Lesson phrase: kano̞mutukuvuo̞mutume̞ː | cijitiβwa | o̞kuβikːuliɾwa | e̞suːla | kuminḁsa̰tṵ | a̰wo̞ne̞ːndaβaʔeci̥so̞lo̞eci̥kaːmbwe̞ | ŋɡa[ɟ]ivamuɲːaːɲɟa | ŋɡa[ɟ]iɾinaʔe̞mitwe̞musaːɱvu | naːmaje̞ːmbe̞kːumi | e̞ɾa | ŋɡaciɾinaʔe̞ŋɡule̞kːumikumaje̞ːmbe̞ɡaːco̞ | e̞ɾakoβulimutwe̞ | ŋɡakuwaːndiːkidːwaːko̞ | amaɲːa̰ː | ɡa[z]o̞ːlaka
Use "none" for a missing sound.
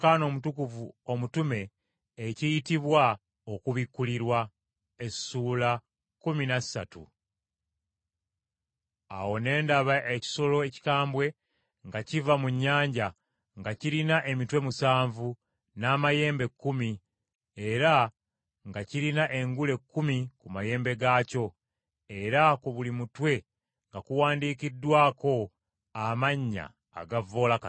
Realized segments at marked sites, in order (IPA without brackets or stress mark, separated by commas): c, c, v